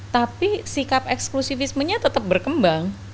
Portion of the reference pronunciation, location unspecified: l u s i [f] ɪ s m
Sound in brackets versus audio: correct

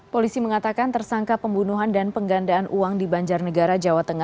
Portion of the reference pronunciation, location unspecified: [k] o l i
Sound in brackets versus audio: incorrect: p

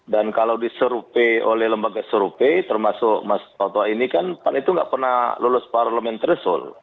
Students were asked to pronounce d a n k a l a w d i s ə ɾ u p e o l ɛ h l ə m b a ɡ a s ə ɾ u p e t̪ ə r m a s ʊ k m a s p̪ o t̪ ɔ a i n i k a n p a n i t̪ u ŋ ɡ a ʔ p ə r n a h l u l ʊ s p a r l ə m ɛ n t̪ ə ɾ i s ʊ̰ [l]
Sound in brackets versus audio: correct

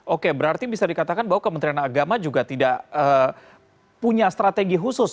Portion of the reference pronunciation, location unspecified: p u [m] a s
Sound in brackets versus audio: incorrect: ɲ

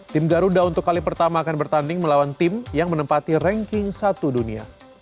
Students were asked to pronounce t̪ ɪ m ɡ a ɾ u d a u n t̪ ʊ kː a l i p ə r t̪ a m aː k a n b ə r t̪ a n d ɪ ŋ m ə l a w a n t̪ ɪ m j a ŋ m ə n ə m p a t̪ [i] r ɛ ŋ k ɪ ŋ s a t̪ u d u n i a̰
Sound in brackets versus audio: correct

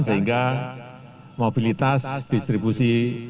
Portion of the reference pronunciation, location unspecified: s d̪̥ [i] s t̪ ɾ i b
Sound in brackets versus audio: correct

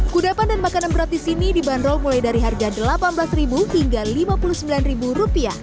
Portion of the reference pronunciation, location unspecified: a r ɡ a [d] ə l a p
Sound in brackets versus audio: correct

